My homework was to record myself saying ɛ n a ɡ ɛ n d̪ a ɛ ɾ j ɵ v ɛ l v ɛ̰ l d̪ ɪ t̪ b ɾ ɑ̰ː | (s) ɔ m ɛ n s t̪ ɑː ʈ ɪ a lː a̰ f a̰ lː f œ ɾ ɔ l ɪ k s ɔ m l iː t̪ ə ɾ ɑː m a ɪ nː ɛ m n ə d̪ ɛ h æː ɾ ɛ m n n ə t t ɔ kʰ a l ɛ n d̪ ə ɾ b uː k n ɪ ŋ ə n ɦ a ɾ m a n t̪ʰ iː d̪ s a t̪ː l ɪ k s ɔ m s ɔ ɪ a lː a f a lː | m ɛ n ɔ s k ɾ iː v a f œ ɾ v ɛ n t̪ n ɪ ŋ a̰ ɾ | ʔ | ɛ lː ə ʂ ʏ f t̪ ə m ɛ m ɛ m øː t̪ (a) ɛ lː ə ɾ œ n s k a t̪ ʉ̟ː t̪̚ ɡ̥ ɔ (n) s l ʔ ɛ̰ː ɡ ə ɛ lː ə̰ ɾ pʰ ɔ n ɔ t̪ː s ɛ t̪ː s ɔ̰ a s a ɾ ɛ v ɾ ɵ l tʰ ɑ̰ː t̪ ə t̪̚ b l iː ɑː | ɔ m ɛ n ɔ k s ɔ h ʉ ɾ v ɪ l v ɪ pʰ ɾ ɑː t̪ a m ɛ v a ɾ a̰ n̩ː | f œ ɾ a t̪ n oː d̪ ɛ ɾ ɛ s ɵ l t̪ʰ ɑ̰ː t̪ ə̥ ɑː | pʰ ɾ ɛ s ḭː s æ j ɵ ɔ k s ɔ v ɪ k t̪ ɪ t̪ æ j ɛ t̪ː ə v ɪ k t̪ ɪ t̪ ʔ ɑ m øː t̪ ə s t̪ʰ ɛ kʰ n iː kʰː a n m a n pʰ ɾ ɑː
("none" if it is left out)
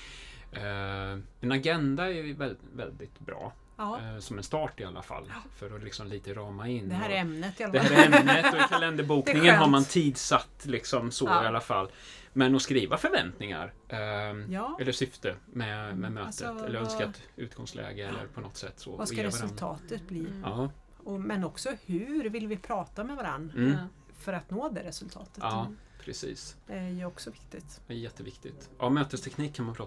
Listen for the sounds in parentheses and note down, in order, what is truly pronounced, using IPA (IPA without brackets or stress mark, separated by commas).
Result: s, ə, ŋ